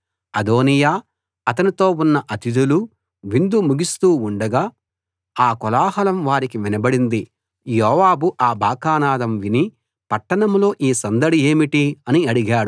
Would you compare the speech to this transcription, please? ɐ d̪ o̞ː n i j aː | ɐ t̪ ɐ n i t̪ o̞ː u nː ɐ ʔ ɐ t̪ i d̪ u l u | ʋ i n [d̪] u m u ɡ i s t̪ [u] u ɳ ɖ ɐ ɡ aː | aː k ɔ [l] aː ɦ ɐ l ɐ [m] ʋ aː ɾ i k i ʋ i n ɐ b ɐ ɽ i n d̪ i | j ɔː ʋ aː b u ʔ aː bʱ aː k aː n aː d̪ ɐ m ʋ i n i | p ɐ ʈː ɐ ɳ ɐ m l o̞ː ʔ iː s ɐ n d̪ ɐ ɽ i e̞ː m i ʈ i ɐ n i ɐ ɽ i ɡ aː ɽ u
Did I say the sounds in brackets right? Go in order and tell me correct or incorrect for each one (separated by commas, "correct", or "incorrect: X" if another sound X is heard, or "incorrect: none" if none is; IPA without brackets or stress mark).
correct, incorrect: uː, correct, correct